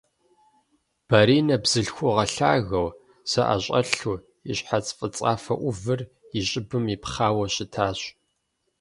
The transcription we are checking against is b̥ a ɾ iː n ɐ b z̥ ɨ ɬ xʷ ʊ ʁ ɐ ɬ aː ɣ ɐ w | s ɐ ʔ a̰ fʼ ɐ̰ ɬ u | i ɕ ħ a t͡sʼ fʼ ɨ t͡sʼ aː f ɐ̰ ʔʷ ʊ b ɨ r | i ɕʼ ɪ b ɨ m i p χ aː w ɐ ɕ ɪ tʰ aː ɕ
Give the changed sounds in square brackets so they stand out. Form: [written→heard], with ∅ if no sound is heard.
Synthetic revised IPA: b̥ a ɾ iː n ɐ b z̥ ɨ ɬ xʷ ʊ ʁ ɐ ɬ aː ɣ ɐ w | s ɐ ʔ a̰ [fʼ→ɕʼ] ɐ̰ ɬ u | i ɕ ħ a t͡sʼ fʼ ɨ t͡sʼ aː f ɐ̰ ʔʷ ʊ [b→v] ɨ r | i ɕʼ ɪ b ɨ m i p χ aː w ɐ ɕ ɪ tʰ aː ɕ